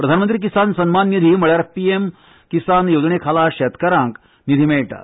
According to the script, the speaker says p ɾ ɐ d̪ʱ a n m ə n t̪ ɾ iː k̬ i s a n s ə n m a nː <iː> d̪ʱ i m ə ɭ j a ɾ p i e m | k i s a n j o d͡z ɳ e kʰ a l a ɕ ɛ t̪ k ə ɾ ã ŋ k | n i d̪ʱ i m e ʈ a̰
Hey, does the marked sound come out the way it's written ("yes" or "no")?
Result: no